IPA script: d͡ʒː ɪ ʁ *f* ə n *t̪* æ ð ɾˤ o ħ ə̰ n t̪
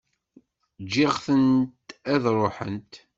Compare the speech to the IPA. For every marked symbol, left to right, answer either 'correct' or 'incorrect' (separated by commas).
incorrect, correct